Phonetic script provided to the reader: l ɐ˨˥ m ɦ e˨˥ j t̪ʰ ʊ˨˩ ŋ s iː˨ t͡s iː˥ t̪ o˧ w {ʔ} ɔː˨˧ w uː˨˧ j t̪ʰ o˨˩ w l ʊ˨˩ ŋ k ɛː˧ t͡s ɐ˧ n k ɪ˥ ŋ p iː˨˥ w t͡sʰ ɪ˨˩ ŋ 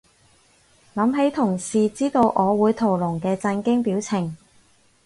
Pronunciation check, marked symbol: correct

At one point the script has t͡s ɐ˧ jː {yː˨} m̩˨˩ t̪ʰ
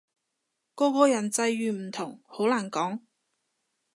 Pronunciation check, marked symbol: correct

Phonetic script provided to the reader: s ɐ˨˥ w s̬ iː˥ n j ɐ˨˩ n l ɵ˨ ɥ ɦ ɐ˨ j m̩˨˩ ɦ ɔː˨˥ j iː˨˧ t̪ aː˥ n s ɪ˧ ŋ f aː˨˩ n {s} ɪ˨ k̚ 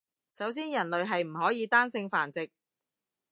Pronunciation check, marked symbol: incorrect: t͡s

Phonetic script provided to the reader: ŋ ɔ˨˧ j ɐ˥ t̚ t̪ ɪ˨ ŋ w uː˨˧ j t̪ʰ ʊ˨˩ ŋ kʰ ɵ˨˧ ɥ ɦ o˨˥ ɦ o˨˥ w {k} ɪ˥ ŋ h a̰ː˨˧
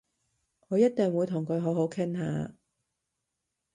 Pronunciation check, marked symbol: incorrect: kʰ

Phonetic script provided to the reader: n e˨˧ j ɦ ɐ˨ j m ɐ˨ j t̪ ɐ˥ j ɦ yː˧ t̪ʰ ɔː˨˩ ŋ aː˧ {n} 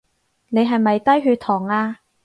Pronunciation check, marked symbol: incorrect: none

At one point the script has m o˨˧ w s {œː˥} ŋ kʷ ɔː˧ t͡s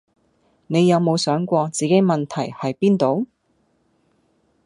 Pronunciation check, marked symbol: incorrect: œː˨˥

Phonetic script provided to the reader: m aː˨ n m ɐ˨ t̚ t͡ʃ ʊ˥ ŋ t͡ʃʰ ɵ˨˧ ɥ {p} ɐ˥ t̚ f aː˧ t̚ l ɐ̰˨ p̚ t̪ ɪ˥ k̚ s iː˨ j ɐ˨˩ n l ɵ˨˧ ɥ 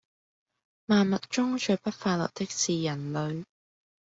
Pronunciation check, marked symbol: correct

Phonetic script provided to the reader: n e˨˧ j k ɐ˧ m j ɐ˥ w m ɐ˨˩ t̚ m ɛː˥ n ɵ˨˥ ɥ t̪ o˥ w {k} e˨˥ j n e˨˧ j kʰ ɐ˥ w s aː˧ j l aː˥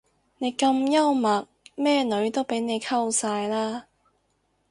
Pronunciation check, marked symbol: incorrect: p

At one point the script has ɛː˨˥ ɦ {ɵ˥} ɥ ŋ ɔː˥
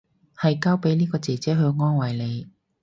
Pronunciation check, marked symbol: incorrect: ɵ˨˧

